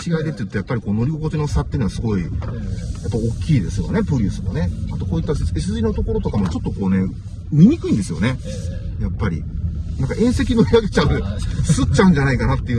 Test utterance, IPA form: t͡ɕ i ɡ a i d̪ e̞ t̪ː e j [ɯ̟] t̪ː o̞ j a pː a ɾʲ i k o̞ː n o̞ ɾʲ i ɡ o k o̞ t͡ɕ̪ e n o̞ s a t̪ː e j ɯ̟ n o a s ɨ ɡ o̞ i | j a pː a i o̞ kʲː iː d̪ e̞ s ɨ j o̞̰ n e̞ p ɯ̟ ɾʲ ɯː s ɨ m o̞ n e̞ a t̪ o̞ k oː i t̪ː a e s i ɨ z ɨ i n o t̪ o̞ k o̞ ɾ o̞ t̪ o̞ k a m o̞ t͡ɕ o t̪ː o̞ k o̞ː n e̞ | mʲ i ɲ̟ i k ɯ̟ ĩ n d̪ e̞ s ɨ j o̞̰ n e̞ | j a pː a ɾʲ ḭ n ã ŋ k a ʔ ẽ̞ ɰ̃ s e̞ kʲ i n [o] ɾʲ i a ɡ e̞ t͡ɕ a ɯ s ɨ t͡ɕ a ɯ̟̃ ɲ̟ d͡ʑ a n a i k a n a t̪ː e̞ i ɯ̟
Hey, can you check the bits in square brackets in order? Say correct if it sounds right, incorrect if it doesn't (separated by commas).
correct, correct